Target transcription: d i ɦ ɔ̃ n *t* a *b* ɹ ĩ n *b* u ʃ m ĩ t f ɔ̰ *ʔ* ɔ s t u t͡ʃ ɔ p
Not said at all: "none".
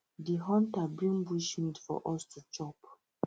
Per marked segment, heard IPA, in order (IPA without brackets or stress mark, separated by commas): t, b, b, ʔ